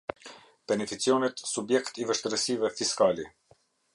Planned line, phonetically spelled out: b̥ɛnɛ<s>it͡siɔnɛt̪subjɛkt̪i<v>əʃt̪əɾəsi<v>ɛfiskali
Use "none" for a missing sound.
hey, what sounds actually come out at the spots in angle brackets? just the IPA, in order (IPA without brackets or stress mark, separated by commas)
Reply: f, v, v